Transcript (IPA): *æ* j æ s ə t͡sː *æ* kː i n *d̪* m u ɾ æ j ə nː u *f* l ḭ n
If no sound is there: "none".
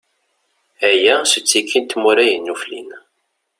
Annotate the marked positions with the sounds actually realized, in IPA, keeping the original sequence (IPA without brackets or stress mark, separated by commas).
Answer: æ, i, t̪, f